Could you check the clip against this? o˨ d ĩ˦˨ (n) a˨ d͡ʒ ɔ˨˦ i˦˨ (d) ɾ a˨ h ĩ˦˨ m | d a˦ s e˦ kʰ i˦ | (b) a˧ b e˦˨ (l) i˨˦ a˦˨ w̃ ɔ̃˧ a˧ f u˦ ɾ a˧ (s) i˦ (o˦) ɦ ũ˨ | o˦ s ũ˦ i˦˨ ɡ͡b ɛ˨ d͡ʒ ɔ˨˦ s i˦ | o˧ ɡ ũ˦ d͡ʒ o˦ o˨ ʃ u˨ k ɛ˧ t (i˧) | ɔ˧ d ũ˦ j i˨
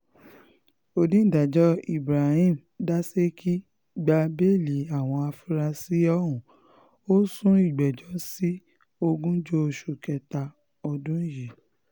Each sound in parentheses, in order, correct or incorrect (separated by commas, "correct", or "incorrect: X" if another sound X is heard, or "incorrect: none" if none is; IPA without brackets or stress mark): incorrect: d, incorrect: b, incorrect: ɡ͡b, correct, correct, incorrect: ɔ˦, incorrect: a˧